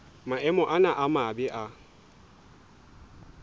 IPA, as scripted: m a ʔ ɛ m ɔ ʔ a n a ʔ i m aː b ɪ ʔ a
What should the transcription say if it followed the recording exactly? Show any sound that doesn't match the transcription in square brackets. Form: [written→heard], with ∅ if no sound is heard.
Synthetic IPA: m a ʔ ɛ m ɔ ʔ a n a ʔ [i→a] m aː b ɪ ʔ a